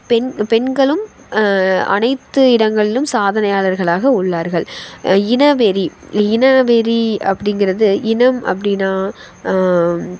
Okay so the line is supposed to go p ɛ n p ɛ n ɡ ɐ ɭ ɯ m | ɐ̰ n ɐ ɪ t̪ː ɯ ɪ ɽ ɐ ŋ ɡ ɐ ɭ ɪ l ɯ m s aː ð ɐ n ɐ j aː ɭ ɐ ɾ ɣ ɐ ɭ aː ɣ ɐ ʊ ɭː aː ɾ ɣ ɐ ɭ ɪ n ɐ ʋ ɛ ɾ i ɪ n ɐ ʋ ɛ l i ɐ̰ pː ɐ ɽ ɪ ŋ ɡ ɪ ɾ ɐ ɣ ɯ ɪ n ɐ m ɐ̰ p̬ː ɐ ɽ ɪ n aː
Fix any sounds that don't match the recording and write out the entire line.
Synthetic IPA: p ɛ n p ɛ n ɡ ɐ ɭ ɯ m | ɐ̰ n ɐ ɪ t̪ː ɯ ɪ ɽ ɐ ŋ ɡ ɐ ɭ ɪ l ɯ m s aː ð ɐ n ɐ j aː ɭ ɐ ɾ ɣ ɐ ɭ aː ɣ ɐ ʊ ɭː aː ɾ ɣ ɐ ɭ ɪ n ɐ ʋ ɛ ɾ i ɪ n ɐ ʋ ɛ ɾ i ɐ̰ pː ɐ ɽ ɪ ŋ ɡ ɪ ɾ ɐ ð ɯ ɪ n ɐ m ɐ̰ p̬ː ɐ ɽ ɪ n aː